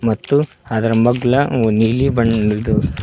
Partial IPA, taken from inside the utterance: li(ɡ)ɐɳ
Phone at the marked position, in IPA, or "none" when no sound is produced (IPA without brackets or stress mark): b